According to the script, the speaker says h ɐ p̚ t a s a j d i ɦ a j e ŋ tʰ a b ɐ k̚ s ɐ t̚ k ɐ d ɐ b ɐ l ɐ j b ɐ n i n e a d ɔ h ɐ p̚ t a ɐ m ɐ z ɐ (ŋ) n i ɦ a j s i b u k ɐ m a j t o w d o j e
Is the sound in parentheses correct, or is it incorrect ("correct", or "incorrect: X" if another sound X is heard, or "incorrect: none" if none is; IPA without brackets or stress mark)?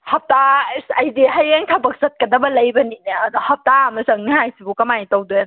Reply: correct